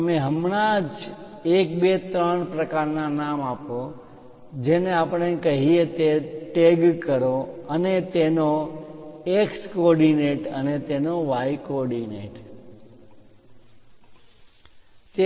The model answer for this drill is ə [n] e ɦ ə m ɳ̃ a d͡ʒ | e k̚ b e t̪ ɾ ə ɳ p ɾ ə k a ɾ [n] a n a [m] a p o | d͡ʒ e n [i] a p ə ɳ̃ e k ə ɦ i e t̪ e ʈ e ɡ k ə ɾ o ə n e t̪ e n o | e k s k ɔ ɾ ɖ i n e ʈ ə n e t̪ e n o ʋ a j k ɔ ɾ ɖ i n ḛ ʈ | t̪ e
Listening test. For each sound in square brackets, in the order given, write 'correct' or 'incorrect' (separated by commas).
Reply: incorrect, correct, correct, incorrect